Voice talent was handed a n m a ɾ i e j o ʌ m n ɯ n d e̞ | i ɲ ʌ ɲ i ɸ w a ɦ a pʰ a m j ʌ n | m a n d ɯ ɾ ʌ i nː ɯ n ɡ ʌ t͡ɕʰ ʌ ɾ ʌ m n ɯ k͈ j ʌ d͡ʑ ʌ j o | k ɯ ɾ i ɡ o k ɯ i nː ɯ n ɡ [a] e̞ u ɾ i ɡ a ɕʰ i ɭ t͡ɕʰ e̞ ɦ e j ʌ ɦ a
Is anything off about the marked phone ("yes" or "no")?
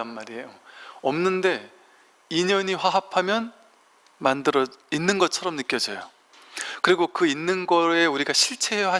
yes